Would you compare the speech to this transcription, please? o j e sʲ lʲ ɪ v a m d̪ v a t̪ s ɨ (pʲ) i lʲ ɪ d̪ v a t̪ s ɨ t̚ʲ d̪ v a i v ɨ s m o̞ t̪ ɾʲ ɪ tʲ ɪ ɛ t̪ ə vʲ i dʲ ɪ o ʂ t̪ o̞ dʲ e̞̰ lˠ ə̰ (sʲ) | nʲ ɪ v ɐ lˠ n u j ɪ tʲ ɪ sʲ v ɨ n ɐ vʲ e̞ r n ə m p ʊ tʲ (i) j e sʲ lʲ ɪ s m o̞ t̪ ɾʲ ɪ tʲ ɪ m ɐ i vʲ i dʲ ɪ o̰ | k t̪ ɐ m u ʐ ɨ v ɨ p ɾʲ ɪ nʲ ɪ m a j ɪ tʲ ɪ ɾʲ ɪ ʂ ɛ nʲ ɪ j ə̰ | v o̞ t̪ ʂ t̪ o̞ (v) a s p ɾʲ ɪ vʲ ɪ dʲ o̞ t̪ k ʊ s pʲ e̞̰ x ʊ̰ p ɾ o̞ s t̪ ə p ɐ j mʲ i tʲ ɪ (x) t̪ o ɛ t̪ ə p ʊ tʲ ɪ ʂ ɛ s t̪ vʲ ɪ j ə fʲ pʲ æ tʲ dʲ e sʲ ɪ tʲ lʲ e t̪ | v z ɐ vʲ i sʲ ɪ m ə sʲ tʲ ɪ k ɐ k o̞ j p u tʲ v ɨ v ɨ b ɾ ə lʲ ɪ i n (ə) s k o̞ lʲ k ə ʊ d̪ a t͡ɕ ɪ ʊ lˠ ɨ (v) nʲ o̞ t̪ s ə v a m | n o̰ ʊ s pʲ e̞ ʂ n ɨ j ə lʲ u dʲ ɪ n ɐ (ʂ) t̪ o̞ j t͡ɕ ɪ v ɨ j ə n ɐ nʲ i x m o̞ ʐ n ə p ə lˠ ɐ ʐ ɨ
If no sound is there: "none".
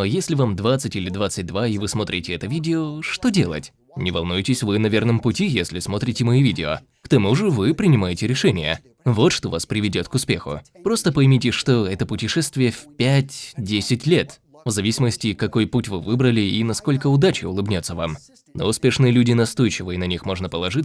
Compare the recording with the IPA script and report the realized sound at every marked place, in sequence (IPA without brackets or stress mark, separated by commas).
tʲ, tʲ, i, v, ʂ, ɐ, b, s